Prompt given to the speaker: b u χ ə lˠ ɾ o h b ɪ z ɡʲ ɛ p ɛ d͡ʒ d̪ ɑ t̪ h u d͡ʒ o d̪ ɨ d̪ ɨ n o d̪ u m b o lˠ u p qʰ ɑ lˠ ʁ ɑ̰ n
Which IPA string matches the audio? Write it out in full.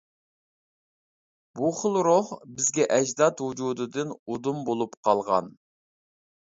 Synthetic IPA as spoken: b u χ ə lˠ ɾ o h b ɪ z ɡʲ ɛ ʔ ɛ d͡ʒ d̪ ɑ t̪ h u d͡ʒ u d̪ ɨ d̪ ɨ n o d̪ u m b o lˠ u p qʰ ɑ lˠ ʁ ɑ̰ n